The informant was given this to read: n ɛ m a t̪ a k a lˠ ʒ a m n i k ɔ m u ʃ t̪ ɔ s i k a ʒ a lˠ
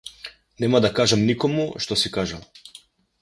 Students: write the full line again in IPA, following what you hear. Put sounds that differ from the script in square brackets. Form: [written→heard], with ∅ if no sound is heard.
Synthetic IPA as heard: n ɛ m a [t̪→d̪] a k a [lˠ→∅] ʒ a m n i k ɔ m u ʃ t̪ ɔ s i k a ʒ a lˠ